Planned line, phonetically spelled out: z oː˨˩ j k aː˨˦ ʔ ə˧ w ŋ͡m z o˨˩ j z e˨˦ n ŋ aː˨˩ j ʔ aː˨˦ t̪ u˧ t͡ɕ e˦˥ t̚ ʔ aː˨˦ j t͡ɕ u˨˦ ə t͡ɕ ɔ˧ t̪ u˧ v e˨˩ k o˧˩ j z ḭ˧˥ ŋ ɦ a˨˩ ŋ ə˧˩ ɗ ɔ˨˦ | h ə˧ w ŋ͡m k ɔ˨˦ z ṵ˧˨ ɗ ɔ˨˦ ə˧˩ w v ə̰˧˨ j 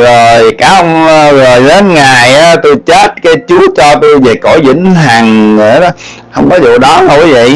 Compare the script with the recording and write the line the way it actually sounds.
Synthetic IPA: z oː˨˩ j k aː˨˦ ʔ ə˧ w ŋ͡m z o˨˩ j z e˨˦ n ŋ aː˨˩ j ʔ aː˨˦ t̪ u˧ t͡ɕ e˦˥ t̚ k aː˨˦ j t͡ɕ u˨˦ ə t͡ɕ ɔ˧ t̪ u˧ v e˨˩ k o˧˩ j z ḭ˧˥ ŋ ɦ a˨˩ ŋ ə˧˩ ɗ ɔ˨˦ | h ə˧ w ŋ͡m k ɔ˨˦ z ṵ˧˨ ɗ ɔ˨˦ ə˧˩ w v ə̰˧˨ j